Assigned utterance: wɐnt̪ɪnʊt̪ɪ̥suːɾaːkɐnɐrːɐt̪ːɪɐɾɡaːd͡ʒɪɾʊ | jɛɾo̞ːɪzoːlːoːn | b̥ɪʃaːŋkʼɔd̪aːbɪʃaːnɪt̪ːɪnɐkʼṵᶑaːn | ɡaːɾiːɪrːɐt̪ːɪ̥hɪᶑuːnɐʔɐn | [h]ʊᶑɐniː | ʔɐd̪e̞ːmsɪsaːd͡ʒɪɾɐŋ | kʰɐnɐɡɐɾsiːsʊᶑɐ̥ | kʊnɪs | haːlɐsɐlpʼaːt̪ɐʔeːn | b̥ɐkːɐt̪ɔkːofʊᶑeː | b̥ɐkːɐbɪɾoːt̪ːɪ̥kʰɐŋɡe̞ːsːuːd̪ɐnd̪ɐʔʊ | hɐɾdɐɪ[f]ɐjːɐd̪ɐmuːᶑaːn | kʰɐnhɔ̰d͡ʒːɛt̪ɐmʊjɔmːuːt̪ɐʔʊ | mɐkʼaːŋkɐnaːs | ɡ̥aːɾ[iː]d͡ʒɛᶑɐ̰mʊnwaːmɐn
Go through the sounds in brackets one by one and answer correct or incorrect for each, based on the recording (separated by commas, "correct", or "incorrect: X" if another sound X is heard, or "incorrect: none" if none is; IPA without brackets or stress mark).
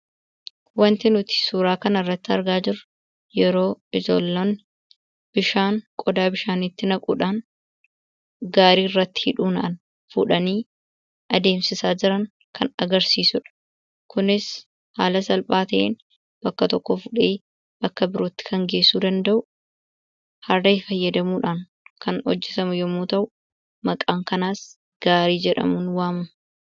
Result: incorrect: f, correct, correct